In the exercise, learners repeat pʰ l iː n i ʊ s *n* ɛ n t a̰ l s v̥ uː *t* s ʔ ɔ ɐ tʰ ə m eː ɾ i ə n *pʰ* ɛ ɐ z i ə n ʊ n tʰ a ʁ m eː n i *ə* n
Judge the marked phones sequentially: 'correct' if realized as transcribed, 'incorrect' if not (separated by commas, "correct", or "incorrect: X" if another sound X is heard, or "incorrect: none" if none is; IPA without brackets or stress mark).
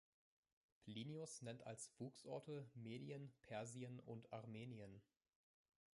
correct, incorrect: k, correct, correct